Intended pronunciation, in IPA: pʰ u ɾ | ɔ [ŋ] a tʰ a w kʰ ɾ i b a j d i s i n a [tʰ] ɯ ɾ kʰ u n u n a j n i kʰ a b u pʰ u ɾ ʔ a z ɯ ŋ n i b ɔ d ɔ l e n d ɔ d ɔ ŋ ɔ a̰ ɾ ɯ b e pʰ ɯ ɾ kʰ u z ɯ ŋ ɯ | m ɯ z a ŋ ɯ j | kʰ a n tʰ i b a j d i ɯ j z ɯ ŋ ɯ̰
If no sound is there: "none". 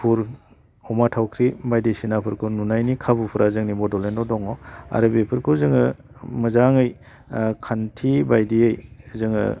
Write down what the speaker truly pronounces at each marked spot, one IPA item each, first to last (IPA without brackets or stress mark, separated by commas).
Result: m, pʰ